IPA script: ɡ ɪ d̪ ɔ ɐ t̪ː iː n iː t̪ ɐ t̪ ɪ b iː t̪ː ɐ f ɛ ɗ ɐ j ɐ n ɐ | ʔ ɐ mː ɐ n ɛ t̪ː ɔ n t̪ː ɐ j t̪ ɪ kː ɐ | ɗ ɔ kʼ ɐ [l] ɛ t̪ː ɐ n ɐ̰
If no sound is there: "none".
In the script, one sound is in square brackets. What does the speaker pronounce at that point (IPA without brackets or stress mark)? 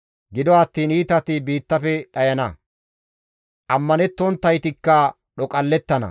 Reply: lː